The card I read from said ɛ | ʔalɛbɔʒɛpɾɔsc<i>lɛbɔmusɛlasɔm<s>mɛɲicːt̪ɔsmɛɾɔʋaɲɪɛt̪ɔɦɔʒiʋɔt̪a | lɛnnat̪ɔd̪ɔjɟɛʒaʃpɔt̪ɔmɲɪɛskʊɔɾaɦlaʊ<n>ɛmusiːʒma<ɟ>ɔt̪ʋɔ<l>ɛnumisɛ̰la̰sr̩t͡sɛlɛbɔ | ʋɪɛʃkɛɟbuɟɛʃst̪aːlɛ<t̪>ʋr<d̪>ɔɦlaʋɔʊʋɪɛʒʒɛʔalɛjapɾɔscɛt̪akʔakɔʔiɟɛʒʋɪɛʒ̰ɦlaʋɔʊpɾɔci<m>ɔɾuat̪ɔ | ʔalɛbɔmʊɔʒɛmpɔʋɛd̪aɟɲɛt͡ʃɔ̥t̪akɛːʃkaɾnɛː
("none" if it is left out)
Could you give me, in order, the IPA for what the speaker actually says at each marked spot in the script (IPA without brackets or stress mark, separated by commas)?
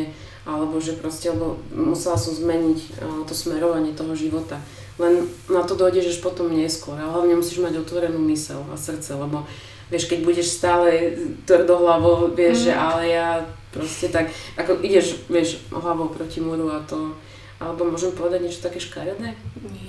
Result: ɛ, z, ɲ, ɟ, ɾ, t̪, d̪, m